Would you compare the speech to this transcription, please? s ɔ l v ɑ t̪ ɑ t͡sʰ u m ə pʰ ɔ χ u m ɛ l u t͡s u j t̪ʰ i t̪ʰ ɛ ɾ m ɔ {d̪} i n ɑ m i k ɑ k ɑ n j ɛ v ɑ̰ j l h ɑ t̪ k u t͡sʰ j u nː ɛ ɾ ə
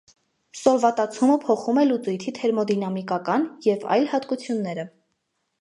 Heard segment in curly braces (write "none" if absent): d̪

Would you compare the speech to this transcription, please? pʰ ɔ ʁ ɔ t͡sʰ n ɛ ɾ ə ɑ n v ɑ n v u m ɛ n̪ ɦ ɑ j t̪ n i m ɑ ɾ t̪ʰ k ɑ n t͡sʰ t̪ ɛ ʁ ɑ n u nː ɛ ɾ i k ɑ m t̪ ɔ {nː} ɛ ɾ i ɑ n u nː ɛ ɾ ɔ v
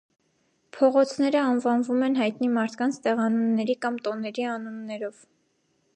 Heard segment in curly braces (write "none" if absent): n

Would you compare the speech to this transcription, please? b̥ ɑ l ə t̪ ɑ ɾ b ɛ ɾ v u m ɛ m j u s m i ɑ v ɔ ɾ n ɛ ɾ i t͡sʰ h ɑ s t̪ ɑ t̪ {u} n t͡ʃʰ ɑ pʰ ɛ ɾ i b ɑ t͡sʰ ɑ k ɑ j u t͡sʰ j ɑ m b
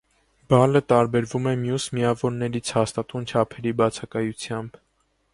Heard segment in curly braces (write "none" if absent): u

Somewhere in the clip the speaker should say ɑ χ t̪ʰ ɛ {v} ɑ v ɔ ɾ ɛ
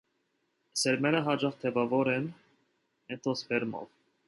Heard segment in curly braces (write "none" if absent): v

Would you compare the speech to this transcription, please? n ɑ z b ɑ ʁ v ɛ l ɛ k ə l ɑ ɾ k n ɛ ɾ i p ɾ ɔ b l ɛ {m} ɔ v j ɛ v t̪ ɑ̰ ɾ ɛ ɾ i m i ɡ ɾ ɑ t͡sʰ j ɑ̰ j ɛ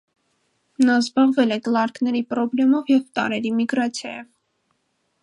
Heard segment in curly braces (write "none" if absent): m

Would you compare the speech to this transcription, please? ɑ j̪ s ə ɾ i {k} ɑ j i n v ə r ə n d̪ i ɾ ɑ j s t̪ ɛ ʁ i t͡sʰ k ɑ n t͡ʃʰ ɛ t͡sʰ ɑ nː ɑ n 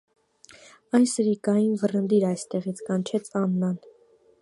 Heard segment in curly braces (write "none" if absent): k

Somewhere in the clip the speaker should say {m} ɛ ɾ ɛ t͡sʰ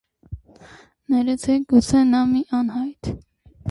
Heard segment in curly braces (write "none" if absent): n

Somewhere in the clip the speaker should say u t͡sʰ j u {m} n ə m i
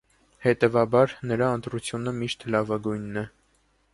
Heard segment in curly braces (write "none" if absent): none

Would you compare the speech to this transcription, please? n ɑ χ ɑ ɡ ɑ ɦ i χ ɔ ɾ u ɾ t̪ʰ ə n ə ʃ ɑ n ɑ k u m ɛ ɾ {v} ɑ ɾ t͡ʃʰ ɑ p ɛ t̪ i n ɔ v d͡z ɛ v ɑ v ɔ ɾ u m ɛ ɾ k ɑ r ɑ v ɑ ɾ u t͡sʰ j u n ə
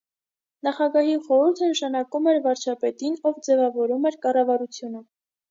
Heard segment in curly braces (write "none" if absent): v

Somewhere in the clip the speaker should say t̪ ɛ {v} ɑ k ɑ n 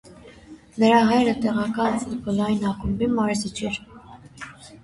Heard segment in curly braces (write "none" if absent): ʁ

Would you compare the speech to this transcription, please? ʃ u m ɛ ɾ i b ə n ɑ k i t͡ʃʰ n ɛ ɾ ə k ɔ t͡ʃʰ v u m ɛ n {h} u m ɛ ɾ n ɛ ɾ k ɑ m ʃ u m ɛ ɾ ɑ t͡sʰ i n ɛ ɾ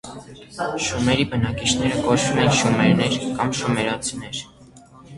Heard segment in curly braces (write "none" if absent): ʃ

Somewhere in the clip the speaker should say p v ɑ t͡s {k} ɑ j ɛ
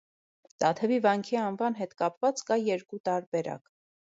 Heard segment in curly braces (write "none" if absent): k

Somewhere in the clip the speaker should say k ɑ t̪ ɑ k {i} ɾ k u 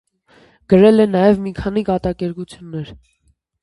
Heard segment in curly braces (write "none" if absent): ɛ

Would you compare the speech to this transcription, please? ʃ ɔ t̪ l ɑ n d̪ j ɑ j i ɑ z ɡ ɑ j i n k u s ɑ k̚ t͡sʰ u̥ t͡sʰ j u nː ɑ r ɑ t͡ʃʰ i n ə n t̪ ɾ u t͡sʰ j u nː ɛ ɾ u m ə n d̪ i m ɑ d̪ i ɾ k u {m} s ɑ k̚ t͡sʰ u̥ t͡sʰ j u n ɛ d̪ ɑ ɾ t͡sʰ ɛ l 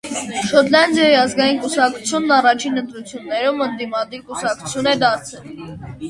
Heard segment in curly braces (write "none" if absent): none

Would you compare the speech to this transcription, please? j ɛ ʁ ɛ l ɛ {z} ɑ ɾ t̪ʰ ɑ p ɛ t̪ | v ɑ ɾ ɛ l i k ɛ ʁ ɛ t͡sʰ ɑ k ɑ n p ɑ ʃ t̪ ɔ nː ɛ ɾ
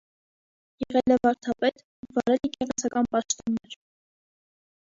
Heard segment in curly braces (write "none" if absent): v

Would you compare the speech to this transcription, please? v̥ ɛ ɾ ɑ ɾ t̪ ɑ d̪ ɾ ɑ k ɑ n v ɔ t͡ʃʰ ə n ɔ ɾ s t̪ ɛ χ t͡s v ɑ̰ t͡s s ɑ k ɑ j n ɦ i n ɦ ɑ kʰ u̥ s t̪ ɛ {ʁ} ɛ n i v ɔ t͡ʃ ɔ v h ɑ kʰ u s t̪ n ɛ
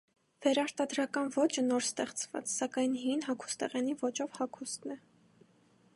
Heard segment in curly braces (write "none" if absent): ʁ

